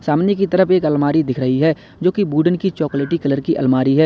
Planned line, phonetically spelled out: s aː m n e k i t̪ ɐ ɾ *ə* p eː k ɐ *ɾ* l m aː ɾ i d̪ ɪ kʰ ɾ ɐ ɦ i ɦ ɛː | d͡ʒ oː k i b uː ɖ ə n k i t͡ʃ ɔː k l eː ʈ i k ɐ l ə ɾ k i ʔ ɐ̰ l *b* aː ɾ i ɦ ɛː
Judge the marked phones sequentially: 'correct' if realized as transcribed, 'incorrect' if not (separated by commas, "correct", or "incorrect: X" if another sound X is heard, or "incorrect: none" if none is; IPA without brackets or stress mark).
correct, incorrect: none, incorrect: m